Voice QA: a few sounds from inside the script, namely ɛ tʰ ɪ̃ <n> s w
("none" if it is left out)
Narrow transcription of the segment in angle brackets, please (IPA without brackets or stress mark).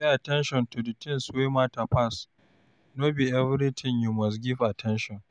n